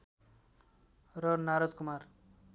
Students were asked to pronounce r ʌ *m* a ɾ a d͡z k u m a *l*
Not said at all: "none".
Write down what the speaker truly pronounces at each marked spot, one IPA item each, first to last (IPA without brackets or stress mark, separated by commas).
n, r